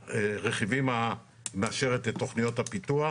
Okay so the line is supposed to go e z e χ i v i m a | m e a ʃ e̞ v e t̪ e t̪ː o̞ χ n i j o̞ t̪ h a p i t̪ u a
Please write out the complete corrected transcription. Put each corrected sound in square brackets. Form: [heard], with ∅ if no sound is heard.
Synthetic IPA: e [ʁ] e χ i v i m a | m e a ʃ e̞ [ʁ] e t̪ e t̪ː o̞ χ n i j o̞ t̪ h a p i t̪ u a